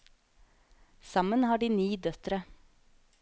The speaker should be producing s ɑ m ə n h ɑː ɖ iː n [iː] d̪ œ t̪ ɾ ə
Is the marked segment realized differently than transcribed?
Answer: no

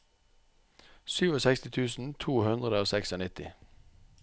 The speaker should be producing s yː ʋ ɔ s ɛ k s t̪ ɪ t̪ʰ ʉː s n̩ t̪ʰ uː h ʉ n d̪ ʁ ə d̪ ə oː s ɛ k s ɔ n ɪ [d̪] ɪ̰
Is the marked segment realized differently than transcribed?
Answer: yes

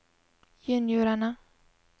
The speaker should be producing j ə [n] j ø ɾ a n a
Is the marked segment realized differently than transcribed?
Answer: no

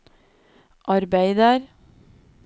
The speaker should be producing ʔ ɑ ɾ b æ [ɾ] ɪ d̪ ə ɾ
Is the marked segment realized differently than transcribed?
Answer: yes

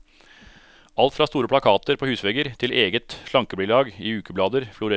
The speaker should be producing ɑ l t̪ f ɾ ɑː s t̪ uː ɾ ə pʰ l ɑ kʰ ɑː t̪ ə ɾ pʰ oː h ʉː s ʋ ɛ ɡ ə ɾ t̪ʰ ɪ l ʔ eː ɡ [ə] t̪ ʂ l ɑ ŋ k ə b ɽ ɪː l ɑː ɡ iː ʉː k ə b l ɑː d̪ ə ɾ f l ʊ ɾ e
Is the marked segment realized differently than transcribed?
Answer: no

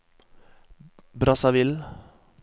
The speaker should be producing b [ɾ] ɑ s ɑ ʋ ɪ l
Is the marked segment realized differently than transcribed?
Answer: no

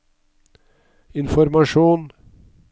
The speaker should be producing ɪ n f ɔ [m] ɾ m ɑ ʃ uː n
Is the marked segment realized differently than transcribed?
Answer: yes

